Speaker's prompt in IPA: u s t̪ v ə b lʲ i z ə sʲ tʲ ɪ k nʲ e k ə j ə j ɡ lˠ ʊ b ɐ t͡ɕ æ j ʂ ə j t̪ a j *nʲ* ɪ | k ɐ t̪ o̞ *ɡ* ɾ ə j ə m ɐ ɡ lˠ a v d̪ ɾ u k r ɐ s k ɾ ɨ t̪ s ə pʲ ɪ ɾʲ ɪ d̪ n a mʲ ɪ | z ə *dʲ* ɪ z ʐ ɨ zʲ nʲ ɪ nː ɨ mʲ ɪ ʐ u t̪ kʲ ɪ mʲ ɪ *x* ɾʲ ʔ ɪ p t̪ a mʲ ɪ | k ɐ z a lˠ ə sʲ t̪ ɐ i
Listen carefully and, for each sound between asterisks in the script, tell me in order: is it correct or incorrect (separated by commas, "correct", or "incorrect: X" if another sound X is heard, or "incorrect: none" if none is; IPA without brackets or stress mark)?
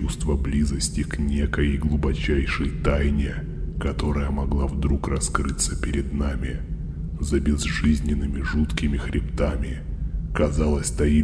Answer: correct, incorrect: none, incorrect: bʲ, correct